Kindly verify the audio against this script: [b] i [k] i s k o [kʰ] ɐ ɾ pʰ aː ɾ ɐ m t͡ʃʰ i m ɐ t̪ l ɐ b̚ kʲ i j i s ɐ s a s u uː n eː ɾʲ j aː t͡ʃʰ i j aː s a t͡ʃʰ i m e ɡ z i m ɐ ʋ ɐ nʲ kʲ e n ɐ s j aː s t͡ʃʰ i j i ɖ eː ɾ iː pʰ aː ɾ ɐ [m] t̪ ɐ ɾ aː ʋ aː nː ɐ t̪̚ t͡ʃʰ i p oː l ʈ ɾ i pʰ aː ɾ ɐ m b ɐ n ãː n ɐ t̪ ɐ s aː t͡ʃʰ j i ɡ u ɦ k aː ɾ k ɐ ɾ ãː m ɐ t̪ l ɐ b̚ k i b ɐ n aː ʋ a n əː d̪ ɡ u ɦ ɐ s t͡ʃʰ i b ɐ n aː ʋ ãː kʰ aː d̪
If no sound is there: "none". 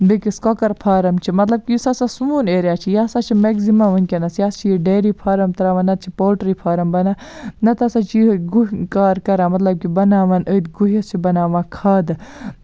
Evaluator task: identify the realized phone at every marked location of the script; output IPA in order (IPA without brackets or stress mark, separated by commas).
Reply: b, k, k, m